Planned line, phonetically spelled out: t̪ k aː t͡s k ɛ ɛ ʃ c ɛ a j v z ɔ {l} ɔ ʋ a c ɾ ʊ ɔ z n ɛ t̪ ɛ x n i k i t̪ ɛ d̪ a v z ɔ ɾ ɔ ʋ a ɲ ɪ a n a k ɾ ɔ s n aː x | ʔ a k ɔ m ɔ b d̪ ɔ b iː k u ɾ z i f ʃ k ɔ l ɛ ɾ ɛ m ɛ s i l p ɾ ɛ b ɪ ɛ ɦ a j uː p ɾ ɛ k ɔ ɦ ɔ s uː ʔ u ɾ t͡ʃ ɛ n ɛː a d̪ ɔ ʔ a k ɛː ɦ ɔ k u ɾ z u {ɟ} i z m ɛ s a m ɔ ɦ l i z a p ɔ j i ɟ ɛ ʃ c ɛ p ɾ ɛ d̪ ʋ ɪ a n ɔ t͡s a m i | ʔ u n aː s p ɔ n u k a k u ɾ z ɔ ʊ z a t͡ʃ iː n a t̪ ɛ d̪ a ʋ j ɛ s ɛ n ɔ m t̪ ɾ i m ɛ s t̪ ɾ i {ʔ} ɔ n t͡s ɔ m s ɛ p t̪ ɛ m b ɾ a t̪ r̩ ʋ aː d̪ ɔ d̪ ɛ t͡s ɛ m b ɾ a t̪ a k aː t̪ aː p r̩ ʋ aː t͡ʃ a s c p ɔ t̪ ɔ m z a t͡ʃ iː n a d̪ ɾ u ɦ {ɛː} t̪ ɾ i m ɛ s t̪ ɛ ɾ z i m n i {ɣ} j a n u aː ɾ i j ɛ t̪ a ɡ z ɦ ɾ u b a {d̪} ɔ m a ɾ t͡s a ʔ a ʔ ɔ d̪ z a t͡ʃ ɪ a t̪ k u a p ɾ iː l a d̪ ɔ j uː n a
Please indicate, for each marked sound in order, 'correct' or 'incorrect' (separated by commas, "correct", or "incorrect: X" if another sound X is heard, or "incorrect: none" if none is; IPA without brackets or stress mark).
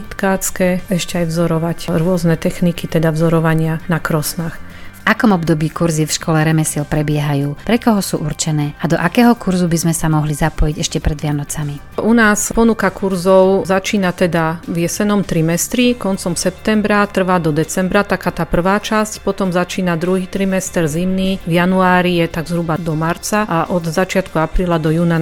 incorrect: ɾ, incorrect: b, incorrect: k, incorrect: iː, incorrect: v, correct